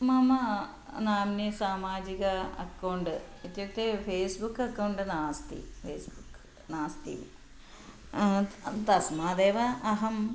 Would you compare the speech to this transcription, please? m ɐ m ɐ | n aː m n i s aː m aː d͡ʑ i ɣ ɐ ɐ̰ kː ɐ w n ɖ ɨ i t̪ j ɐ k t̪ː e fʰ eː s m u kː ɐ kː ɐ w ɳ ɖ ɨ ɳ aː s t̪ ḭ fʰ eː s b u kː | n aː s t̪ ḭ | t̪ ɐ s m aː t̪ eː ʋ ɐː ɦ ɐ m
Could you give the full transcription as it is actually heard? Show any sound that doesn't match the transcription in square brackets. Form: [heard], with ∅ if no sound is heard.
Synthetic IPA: m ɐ m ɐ | n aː m n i s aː m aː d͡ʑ i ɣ ɐ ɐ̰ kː ɐ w [ɳ] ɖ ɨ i t̪ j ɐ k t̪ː e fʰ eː s [b] u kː ɐ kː ɐ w ɳ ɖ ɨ [n] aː s t̪ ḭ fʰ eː s b u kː | n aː s t̪ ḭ | t̪ ɐ s m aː [d̪] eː ʋ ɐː ɦ ɐ m